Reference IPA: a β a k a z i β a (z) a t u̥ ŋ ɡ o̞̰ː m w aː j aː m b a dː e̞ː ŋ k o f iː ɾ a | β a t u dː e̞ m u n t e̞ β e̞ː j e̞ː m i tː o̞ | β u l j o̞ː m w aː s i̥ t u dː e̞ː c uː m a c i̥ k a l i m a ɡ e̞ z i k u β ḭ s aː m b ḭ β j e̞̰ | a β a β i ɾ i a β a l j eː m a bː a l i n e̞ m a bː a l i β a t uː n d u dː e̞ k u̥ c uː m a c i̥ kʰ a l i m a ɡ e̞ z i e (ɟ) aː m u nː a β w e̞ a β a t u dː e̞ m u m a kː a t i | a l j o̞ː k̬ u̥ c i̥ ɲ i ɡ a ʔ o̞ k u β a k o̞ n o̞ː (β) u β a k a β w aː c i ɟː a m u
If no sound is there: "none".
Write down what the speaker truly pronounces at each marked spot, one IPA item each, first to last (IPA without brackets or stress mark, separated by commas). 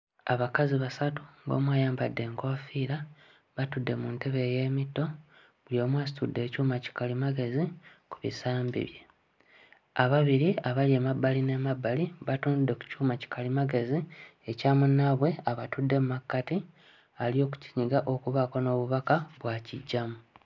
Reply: s, c, β